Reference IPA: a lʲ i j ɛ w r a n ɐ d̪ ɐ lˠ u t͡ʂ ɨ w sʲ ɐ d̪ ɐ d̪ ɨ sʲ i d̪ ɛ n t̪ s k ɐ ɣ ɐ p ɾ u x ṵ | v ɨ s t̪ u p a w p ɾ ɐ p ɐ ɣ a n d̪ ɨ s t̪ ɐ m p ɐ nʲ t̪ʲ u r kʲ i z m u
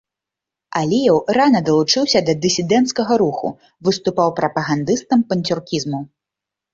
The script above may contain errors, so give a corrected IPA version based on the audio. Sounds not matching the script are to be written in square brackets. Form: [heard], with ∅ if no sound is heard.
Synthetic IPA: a lʲ i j ɛ w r a n ɐ d̪ ɐ lˠ u t͡ʂ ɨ w sʲ ɐ d̪ ɐ d̪ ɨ sʲ i d̪ ɛ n t̪ s k ɐ ɣ ɐ [∅] ɾ u x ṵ | v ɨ s t̪ u p a w p ɾ ɐ p ɐ ɣ a n d̪ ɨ s t̪ ɐ m p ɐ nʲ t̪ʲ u r kʲ i z m u